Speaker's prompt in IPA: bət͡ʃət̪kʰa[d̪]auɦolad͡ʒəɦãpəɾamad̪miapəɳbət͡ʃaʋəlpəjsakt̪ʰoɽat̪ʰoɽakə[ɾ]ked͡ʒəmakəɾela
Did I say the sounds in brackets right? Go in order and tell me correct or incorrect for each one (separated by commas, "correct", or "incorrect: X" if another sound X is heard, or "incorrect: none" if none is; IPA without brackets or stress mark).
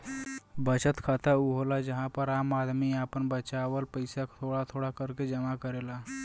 incorrect: t̪, correct